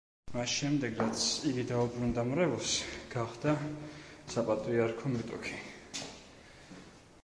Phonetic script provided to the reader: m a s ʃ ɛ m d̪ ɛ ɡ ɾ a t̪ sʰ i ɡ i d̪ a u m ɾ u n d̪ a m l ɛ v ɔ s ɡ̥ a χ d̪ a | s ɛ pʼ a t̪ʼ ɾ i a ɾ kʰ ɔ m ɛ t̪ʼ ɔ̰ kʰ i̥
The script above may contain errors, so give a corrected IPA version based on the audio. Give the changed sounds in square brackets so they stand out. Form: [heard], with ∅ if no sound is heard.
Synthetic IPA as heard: m a s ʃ ɛ m d̪ ɛ ɡ ɾ a t̪ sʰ i ɡ i d̪ a u [b] ɾ u n d̪ a m [ɾ] ɛ v ɔ s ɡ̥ a χ d̪ a | s [a] pʼ a t̪ʼ ɾ i a ɾ kʰ ɔ m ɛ t̪ʼ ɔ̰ kʰ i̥